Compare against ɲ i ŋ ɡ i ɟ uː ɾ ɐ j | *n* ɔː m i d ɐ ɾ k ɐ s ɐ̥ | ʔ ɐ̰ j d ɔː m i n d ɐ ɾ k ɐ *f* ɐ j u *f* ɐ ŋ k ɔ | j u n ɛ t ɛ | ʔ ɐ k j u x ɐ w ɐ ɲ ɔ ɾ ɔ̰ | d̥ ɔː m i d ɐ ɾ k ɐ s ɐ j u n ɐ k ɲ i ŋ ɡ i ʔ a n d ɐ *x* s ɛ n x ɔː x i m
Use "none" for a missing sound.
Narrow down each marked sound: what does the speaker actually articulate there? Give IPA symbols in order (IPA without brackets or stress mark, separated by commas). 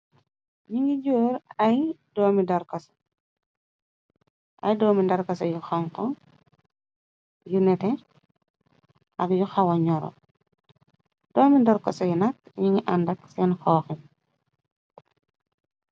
d, s, x, k